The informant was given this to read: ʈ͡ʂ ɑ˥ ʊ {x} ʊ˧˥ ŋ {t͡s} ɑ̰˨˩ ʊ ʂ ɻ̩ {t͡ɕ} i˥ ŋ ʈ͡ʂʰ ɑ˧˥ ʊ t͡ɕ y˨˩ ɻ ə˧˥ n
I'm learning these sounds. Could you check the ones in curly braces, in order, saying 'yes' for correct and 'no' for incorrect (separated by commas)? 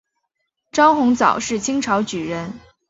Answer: yes, yes, no